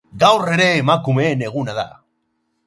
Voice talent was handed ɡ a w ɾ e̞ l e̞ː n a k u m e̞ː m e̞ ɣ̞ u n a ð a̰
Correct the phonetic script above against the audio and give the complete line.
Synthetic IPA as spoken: ɡ a w r e̞ ɾ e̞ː m a k u m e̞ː n e̞ ɣ̞ u n a ð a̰